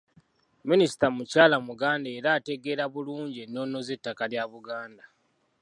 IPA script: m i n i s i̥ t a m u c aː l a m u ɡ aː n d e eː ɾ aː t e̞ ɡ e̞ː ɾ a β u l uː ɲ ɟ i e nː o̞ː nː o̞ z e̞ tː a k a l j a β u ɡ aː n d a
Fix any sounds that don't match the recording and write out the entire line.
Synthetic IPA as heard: m i n i s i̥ t a m u c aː l a m u ɡ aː n d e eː ɾ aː t e̞ ɡ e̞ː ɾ a β u l uː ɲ ɟ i e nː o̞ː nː o̞ z e̞ tː a k a l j a β u ɡ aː n d a